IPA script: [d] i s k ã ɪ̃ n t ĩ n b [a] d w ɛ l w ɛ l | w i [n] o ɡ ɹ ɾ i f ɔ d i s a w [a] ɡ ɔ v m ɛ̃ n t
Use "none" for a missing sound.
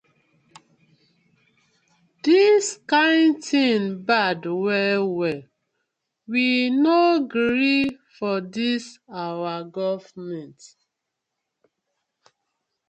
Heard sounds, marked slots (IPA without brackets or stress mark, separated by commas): d, a, n, a